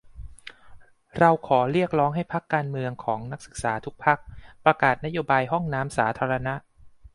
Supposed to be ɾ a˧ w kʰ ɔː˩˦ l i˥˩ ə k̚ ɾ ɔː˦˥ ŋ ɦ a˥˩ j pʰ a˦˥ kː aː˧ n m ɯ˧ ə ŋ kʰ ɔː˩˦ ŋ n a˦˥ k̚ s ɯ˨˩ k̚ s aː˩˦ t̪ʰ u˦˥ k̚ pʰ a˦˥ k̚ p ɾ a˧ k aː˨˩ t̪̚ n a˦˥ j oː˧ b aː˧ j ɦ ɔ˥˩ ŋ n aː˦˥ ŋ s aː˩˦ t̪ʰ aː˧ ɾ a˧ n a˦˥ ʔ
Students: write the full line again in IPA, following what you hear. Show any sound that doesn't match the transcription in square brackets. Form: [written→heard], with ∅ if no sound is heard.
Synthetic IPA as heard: ɾ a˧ w kʰ ɔː˩˦ [l→ɾ] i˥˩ ə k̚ ɾ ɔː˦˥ ŋ ɦ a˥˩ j pʰ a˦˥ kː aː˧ n m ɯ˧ ə ŋ kʰ ɔː˩˦ ŋ n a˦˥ k̚ s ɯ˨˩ k̚ s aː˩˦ t̪ʰ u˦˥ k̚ pʰ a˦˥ k̚ p ɾ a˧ k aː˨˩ t̪̚ n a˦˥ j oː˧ b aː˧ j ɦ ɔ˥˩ ŋ n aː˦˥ [ŋ→m] s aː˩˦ t̪ʰ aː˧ ɾ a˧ n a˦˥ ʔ